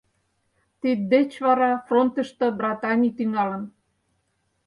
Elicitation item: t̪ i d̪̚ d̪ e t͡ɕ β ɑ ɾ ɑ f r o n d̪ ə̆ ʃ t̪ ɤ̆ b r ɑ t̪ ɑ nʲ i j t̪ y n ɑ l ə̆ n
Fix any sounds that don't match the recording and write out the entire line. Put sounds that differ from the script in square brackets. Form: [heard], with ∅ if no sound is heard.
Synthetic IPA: t̪ i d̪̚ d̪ e t͡ɕ β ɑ ɾ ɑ f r o n [t̪] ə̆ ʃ t̪ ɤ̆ b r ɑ t̪ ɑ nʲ i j t̪ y [ŋ] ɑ l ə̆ n